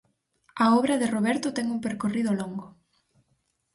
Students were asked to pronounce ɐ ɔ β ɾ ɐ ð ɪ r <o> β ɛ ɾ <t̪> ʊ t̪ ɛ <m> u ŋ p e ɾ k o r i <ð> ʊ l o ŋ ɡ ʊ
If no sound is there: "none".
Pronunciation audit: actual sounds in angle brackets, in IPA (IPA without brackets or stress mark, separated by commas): o, t̪, ŋ, ð